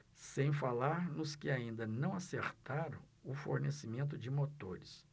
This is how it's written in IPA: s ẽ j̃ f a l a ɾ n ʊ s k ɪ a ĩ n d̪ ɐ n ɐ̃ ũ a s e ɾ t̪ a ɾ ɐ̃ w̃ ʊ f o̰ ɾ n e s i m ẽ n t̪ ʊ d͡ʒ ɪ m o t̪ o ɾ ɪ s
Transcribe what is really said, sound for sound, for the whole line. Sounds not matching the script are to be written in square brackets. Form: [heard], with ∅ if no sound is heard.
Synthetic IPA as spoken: s ẽ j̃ f a l a ɾ n ʊ s k ɪ a ĩ n d̪ ɐ n ɐ̃ [w̃] a s e ɾ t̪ a ɾ ɐ̃ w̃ ʊ f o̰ ɾ n e s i m ẽ n t̪ ʊ d͡ʒ ɪ m o t̪ o ɾ ɪ s